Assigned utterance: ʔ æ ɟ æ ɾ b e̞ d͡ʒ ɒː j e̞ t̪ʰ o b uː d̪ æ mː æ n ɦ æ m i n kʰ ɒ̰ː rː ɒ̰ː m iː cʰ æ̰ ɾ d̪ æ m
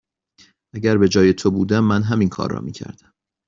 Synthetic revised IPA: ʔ æ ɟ æ ɾ b e̞ d͡ʒ ɒː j e̞ t̪ʰ o b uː d̪ æ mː æ n ɦ æ m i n kʰ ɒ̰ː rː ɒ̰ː m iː cʰ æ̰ ɾ d̪ æ m